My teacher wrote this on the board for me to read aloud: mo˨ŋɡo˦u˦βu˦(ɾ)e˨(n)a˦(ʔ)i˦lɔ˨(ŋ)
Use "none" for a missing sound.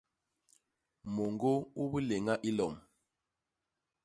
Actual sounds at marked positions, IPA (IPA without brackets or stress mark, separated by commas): l, ŋ, ʔ, m